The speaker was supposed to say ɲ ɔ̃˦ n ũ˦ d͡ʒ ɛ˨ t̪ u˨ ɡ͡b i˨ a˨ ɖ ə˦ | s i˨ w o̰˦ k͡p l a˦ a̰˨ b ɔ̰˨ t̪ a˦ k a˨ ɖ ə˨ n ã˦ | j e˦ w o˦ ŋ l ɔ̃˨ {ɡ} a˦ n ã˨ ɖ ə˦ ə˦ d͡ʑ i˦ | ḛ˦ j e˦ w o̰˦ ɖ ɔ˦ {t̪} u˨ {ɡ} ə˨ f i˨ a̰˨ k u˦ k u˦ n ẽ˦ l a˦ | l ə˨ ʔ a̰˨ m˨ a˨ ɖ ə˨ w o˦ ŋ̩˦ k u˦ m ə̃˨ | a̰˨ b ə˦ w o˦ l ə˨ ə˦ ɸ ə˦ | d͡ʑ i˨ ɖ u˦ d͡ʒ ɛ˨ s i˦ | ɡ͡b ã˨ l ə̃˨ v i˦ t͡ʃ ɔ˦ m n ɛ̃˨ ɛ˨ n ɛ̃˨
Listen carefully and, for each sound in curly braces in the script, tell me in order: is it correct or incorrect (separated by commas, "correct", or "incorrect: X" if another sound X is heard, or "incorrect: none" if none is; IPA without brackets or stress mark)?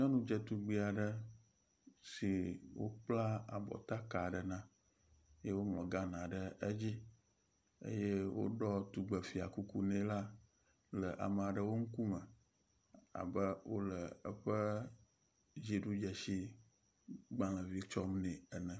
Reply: correct, correct, incorrect: ɡ͡b